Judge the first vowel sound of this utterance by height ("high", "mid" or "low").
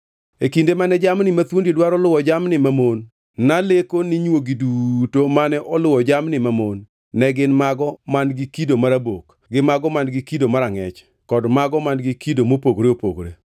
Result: mid